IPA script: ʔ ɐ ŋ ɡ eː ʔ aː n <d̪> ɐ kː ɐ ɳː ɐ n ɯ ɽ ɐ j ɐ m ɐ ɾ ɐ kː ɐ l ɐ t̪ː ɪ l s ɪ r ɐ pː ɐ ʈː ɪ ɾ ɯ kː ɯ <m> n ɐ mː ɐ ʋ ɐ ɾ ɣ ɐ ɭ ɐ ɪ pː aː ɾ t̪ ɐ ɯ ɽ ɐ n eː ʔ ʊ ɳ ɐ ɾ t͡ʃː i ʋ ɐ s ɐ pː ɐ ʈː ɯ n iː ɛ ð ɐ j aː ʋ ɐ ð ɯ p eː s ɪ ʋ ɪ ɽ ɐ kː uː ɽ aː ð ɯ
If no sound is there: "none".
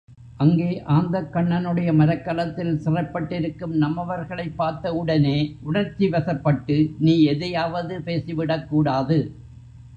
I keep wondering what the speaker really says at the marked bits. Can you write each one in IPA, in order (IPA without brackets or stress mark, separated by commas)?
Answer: d̪, m